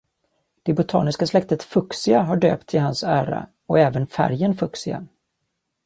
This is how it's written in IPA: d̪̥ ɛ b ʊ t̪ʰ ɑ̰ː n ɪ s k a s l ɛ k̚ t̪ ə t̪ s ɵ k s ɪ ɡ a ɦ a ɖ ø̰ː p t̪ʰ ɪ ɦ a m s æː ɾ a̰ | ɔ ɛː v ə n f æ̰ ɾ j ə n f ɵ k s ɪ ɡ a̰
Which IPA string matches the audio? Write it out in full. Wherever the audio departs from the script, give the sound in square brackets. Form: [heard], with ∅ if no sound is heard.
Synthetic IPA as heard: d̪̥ ɛ b ʊ t̪ʰ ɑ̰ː n ɪ s k a s l ɛ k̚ t̪ ə t̪ [f] ɵ k s ɪ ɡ a ɦ a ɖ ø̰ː p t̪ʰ ɪ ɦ a [n] s æː ɾ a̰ | ɔ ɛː v ə n f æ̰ ɾ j ə n f ɵ k s ɪ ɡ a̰